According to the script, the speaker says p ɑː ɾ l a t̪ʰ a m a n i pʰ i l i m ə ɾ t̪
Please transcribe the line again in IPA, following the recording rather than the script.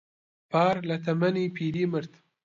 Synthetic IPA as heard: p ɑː ɾ l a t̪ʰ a m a n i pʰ i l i m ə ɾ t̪